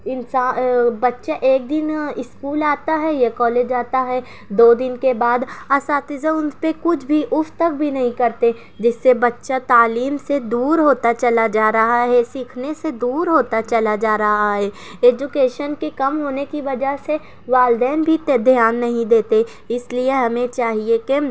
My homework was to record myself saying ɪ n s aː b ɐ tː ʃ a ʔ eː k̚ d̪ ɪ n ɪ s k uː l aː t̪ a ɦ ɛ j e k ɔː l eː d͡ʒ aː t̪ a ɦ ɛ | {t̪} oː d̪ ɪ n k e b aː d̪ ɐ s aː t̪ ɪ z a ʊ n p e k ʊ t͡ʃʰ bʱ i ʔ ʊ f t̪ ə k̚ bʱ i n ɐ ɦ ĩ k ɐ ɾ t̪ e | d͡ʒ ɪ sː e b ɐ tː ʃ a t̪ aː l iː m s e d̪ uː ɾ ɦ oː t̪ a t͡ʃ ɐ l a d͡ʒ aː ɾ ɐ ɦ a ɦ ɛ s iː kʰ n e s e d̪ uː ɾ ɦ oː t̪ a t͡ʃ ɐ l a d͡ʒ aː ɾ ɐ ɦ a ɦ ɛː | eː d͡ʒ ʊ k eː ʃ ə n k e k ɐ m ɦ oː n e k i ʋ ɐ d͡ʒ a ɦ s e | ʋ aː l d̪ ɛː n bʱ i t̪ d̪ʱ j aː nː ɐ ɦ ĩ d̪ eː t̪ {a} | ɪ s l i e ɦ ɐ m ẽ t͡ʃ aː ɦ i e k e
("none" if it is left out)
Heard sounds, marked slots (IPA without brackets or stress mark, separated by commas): d̪, e